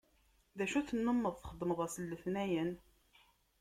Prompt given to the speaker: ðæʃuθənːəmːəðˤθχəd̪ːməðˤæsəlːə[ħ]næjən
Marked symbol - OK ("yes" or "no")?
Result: no